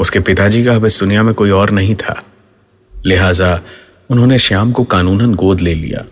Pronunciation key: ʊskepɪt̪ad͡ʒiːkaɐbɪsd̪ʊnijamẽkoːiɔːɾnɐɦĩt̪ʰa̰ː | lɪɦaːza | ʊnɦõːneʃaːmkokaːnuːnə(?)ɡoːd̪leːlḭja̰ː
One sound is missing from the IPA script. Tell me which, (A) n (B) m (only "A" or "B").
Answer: A